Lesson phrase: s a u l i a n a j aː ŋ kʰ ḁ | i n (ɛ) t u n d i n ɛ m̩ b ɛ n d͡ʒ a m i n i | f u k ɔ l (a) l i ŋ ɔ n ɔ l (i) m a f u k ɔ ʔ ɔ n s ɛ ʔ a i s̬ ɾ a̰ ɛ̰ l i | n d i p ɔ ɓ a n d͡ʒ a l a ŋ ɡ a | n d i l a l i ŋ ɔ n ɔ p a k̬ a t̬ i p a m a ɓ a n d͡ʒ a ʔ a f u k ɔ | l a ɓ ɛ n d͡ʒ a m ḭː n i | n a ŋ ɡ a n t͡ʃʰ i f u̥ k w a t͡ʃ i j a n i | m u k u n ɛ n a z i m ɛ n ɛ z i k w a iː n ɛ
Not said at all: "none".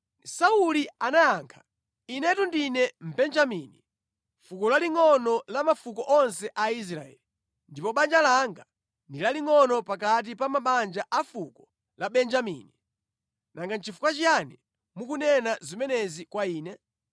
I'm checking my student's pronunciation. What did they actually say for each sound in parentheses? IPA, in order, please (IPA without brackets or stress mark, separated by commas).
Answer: ɛ, a, a